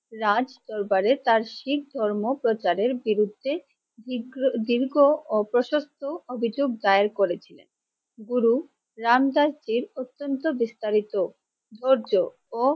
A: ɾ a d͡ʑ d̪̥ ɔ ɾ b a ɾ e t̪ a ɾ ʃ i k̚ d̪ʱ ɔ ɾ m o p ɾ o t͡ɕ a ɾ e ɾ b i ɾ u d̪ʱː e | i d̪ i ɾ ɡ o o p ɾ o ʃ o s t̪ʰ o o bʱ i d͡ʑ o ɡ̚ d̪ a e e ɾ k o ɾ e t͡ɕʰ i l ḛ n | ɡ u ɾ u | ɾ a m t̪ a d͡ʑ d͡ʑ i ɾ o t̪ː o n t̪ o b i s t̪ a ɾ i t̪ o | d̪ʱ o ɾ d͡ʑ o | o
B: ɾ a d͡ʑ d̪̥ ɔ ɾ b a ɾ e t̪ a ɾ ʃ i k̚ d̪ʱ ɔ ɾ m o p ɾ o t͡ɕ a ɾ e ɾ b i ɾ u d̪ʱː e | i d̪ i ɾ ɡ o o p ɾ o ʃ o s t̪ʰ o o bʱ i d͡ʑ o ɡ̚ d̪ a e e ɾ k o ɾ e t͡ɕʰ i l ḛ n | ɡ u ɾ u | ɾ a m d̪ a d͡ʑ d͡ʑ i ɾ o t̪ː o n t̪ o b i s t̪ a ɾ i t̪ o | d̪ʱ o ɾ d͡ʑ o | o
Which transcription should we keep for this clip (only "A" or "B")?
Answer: B